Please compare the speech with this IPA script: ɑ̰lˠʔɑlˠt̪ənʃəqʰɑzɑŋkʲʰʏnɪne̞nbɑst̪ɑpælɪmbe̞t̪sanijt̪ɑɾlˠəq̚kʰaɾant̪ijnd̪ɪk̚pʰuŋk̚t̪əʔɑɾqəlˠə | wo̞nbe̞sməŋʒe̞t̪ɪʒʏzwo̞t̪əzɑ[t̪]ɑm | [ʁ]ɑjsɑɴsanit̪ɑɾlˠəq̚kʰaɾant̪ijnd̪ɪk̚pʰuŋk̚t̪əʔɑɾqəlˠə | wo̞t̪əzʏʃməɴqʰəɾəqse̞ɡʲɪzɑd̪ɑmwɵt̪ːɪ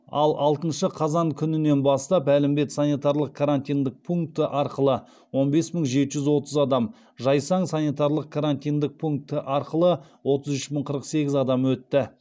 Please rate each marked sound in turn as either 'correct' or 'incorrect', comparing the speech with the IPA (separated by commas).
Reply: incorrect, incorrect